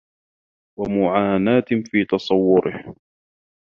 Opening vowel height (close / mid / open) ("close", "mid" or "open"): open